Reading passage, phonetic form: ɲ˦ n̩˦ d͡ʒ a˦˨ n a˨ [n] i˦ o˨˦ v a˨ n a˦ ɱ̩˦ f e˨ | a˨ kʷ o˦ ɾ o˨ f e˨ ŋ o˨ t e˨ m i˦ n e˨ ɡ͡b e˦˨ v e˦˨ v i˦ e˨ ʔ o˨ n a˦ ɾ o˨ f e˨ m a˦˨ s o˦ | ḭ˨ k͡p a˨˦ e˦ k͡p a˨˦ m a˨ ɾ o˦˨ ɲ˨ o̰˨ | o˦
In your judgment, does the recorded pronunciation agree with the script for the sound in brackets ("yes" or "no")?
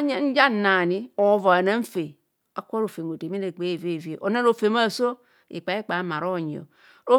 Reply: yes